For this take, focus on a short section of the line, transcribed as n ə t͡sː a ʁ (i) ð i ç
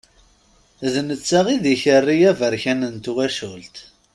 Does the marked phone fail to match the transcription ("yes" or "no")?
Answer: no